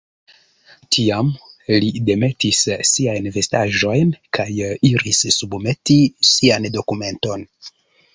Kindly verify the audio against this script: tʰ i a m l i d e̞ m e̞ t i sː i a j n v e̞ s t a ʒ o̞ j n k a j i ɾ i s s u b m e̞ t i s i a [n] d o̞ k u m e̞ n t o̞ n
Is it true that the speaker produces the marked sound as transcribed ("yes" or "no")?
yes